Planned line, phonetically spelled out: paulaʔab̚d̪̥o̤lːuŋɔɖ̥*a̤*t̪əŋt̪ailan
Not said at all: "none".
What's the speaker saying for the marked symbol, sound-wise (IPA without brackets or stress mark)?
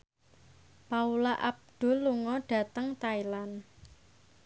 a̤